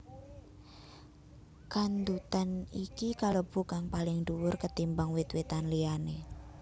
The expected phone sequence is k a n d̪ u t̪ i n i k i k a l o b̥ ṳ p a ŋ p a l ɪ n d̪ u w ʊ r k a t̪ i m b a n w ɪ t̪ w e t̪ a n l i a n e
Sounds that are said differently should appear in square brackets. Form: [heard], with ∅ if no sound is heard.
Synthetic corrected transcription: k a n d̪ u t̪ [a] n i k i k a l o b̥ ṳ [k] a ŋ p a l ɪ [ŋ] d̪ u w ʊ r k [ə] t̪ i m b a [ŋ] w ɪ t̪ w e t̪ a n l i a n e

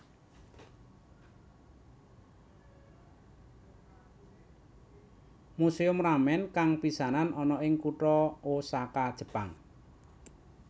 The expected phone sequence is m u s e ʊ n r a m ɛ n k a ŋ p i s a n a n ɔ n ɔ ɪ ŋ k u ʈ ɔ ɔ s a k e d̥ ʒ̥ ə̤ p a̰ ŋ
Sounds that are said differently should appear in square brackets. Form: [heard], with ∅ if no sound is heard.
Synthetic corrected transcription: m u s e ʊ [m] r a m ɛ n k a ŋ p i s a n a n ɔ n ɔ ɪ ŋ k u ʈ ɔ [o] s a k [a] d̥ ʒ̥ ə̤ p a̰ ŋ

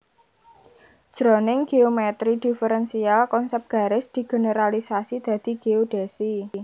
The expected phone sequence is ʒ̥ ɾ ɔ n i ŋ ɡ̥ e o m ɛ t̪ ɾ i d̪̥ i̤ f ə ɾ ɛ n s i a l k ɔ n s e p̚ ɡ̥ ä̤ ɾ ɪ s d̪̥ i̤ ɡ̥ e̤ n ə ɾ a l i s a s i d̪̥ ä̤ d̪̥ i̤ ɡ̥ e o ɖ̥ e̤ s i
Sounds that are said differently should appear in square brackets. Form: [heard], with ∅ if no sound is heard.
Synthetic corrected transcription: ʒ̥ ɾ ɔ n [ɪ] ŋ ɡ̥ e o m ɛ t̪ ɾ i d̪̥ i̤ f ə ɾ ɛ n s i a l k ɔ n s [ɛ] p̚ ɡ̥ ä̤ ɾ ɪ s d̪̥ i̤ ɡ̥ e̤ n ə ɾ a l i s a s i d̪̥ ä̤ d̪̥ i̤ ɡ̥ e o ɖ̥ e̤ s i

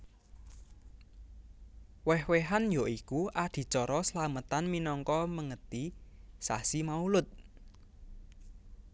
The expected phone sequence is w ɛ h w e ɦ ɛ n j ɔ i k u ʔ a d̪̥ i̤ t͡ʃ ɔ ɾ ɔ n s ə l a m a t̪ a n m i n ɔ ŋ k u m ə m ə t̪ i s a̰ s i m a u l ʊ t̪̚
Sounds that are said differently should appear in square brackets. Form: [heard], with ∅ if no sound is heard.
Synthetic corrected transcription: w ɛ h w e ɦ [a] n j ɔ i k u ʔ a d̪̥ i̤ t͡ʃ ɔ ɾ ɔ [∅] s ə l a m [ə] t̪ a n m i n ɔ ŋ k [ɔ] m ə [ŋ] ə t̪ i s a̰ s i m a u l ʊ t̪̚

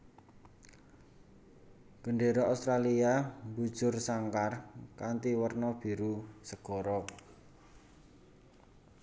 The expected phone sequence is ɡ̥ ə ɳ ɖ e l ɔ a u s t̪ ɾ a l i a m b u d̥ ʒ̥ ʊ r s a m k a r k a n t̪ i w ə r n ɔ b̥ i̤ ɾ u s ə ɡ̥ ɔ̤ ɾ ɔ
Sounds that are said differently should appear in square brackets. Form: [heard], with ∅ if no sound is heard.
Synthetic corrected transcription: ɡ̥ ə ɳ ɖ e [ɾ] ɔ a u s t̪ ɾ a l i a m b u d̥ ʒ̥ ʊ r s a [ŋ] k a r k a n t̪ i w ə r n ɔ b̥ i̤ ɾ u s ə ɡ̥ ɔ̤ ɾ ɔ

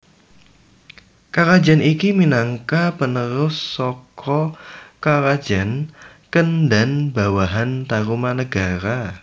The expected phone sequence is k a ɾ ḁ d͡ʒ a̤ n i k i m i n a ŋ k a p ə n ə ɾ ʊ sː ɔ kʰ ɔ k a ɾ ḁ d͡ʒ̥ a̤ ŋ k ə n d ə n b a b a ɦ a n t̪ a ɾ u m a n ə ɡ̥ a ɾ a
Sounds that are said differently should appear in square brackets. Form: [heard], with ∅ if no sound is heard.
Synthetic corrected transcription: k a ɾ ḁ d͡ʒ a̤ n i k i m i n a ŋ k a p ə n ə ɾ ʊ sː ɔ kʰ ɔ k a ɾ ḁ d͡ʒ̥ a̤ [n] k ə n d [a] n b a [w] a ɦ a n t̪ a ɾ u m a n ə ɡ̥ a ɾ a

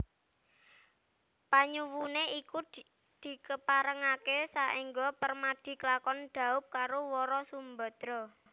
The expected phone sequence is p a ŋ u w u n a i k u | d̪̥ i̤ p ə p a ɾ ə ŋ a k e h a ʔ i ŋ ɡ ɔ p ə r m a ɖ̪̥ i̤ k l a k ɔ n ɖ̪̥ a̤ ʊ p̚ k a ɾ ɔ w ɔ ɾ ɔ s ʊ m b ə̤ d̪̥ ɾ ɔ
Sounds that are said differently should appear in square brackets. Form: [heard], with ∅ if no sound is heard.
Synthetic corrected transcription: p a [ɲ] u w u n [e] i k u | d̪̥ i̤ [k] ə p a ɾ ə ŋ a k e [s] a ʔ i ŋ ɡ ɔ p ə r m a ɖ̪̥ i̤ k l a k ɔ n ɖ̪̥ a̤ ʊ p̚ k a ɾ [o] w ɔ ɾ ɔ s [u] m b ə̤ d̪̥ ɾ ɔ

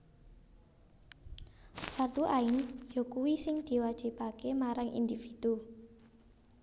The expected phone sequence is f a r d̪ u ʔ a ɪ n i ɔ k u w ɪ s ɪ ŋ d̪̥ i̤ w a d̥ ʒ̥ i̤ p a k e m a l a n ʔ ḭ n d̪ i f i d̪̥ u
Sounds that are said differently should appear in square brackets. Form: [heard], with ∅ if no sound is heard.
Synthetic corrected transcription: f a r [t̪] u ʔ a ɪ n [j] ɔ k u w [i] s ɪ ŋ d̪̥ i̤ w a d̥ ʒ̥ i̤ p a k e m a [ɾ] a [ŋ] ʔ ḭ n d̪ i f i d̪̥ u

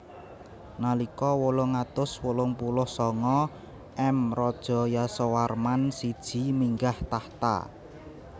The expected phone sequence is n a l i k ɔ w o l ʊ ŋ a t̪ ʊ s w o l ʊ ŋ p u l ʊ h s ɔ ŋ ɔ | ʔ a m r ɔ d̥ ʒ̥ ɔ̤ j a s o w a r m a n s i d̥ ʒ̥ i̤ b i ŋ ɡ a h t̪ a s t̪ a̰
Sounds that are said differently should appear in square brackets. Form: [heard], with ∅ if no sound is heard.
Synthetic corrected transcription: n a l i k ɔ w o l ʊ ŋ a t̪ ʊ s w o l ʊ ŋ p u l ʊ h s ɔ ŋ ɔ | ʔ [ɛ] m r ɔ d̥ ʒ̥ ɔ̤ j a s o w a r m a n s i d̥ ʒ̥ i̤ [m] i ŋ ɡ a h t̪ a [h] t̪ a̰

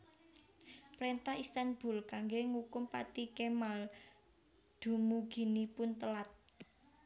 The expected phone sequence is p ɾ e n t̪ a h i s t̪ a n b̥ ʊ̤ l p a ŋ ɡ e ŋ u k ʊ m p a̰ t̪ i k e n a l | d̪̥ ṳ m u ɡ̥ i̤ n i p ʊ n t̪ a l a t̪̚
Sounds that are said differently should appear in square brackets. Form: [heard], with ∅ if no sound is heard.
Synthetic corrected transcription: p ɾ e n t̪ a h i s t̪ a n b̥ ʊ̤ l [k] a ŋ ɡ e ŋ u k ʊ m p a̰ t̪ i k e [m] a l | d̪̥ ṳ m u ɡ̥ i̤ n i p ʊ n t̪ [ə] l a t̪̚

